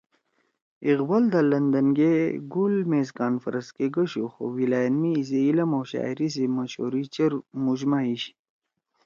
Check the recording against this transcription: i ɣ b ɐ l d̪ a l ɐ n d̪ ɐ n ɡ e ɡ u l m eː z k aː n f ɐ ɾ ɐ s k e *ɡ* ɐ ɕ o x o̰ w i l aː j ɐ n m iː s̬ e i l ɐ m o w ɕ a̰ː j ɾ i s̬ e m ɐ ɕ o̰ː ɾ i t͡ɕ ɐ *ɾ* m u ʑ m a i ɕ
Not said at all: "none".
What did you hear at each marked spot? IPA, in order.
ɡ, ɾ

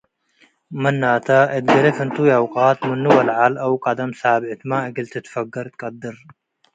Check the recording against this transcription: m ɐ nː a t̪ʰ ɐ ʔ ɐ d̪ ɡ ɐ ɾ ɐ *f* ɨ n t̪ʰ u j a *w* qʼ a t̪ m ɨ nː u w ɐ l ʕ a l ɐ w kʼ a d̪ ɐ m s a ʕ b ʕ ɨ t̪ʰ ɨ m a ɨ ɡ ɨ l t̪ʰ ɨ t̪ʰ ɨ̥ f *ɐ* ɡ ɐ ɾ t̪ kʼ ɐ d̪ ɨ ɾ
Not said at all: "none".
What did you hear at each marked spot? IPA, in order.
f, w, ɐ

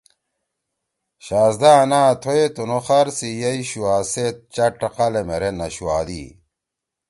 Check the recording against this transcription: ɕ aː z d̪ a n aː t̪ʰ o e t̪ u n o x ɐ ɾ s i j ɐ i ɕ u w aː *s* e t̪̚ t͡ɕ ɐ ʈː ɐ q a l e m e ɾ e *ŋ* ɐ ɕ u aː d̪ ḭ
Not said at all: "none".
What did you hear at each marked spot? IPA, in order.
s, n

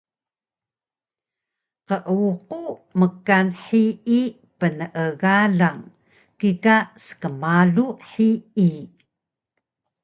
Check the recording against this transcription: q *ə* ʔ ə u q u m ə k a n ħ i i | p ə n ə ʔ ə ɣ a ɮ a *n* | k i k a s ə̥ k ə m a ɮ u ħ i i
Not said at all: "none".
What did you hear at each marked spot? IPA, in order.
ə, ŋ

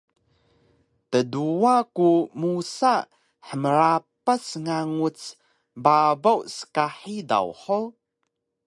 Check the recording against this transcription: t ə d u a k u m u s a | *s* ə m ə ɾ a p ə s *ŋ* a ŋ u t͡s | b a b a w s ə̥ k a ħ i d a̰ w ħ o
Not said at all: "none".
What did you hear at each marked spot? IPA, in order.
ħ, ŋ

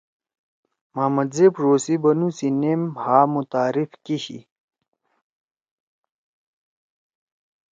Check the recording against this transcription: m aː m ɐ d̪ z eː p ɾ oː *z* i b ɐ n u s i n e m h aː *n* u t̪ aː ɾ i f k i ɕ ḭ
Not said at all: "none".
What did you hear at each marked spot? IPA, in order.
s, m

